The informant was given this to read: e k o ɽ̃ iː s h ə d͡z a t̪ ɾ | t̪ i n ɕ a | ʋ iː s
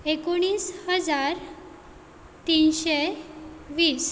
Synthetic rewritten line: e k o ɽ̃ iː s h ə d͡z a ɾ | t̪ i n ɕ e | ʋ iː s